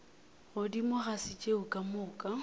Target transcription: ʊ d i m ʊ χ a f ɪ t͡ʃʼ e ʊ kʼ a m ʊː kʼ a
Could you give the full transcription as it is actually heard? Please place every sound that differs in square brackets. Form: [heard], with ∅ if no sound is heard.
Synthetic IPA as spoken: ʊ d i m ʊ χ a [s] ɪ t͡ʃʼ e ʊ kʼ a m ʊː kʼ a

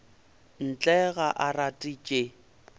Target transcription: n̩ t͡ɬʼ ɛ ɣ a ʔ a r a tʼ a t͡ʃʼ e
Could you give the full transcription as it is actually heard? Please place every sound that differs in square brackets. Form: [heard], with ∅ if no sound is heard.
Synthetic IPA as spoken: n̩ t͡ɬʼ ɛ ɣ a ʔ a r a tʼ [i] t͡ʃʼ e

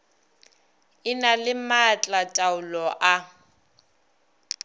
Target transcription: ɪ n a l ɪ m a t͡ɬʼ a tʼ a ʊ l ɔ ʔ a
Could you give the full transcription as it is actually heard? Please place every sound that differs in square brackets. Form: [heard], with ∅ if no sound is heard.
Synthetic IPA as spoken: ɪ n a l ɪ m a t͡ɬʼ a tʼ a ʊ l ɔ ʔ a

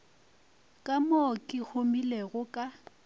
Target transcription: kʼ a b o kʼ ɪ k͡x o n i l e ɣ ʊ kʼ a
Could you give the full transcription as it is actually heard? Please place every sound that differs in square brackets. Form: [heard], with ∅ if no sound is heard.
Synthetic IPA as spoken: kʼ a [m] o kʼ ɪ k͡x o [m] i l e ɣ ʊ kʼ a

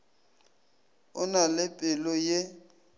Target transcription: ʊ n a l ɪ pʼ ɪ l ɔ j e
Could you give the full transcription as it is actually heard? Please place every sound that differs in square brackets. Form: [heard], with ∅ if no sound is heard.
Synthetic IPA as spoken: ʊ n a l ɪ pʼ ɪ l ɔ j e

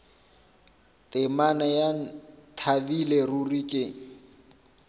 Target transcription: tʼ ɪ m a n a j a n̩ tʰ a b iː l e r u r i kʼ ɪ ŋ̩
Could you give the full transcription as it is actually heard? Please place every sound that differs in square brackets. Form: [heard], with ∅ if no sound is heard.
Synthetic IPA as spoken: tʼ ɪ m a n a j a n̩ tʰ a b [i] l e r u r i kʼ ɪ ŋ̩

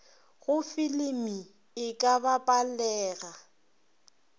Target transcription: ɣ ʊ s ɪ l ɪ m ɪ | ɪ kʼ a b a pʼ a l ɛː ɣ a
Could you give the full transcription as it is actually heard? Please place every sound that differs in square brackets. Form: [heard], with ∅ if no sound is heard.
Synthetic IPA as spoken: ɣ ʊ [f] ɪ l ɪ m [i] | ɪ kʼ a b a pʼ a l ɛː ɣ a

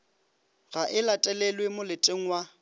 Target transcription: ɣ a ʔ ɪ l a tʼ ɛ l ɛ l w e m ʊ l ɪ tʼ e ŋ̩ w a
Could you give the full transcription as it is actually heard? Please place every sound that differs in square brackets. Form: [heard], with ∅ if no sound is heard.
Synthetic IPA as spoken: ɣ a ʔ ɪ l a tʼ ɛ l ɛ l w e m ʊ l ɪ tʼ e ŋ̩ w a

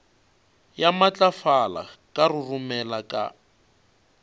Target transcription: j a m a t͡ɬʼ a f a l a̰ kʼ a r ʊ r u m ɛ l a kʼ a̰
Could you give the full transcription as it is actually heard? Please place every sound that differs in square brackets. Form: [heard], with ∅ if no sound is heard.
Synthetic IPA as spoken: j a m a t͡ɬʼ a f a l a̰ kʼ a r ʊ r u m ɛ l a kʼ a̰

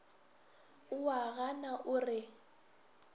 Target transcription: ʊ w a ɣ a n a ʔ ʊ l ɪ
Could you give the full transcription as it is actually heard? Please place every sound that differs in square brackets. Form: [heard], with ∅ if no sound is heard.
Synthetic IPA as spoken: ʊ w a ɣ a n a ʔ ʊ [r] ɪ

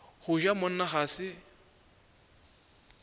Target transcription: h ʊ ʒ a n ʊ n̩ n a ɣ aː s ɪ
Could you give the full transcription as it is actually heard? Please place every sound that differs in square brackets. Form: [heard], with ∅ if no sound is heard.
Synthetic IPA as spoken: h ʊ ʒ a [m] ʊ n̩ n a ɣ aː s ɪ

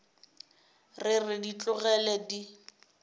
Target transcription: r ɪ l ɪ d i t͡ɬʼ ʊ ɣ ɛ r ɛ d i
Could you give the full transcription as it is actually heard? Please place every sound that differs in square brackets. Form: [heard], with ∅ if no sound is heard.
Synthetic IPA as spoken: r ɪ [r] ɪ d i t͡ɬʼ ʊ ɣ ɛ [l] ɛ d i

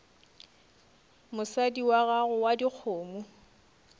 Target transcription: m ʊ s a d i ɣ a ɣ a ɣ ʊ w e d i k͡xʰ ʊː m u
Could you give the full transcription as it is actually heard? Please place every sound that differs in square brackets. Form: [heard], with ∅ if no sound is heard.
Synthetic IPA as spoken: m ʊ s a d i [w] a ɣ a ɣ ʊ w [a] d i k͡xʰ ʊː m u

